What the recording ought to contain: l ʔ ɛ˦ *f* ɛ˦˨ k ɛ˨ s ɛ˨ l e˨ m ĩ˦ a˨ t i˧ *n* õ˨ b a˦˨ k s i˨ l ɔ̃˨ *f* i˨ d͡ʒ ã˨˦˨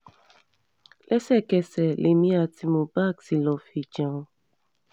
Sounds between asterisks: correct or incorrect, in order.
incorrect: s, incorrect: m, correct

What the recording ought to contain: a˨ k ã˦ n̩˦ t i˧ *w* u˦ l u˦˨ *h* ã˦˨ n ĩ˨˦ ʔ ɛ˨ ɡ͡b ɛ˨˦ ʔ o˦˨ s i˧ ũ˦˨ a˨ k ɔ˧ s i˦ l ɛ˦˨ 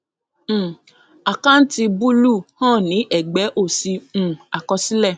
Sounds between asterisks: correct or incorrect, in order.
incorrect: b, correct

